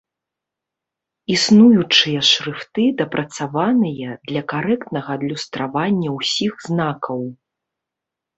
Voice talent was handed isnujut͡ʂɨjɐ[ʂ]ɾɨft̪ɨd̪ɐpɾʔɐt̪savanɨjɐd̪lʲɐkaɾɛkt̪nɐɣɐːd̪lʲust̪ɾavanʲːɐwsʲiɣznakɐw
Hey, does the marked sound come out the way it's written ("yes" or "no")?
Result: yes